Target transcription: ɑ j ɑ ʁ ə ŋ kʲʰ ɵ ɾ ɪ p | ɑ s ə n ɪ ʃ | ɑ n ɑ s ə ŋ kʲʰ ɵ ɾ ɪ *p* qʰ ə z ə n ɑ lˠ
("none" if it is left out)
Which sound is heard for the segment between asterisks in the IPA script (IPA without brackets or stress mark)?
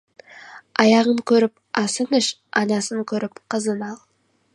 p